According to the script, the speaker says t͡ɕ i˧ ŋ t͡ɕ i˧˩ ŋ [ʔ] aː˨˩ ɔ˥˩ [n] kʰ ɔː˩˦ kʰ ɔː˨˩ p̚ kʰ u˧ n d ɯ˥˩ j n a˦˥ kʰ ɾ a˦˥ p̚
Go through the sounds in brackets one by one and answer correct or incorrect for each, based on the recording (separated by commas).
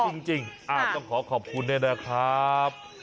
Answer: correct, incorrect